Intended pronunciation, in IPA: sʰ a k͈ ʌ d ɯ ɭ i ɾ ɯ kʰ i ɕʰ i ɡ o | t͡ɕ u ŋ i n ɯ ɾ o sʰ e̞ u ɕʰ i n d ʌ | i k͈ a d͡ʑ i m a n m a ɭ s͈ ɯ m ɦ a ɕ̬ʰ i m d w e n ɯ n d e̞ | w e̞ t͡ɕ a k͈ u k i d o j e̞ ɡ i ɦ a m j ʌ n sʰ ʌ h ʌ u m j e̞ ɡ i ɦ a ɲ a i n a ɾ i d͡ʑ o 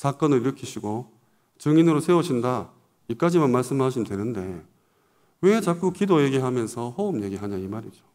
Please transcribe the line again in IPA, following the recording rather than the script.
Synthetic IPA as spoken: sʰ a k͈ ʌ n ɯ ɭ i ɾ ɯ kʰ i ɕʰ i ɡ o | t͡ɕ ɯ ŋ i n ɯ ɾ o sʰ e̞ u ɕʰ i n d a | i k͈ a d͡ʑ i m a n m a ɭ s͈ ɯ m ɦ a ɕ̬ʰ i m d w e n ɯ n d e̞ | w e̞ t͡ɕ a k͈ u k i d o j e̞ ɡ i ɦ a m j ʌ n sʰ ʌ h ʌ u m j e̞ ɡ i ɦ a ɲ a i m a ɾ i d͡ʑ o